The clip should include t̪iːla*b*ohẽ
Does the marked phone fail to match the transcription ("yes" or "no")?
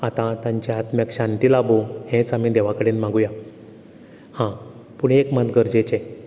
no